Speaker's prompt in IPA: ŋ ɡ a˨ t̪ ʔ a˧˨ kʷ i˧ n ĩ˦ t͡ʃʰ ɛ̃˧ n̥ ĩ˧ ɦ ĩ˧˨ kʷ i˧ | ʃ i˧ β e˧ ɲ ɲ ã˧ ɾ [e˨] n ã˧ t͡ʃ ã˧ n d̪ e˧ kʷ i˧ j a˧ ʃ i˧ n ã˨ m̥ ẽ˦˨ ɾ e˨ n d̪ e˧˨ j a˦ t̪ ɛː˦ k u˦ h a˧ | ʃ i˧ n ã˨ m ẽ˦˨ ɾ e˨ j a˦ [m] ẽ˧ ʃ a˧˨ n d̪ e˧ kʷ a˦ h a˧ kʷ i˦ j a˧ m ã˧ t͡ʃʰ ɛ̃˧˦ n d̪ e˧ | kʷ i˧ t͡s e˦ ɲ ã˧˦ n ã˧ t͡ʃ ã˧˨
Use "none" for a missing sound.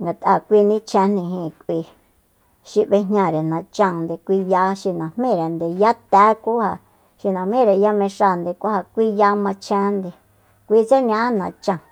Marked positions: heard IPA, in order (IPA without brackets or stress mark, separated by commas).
e˨, m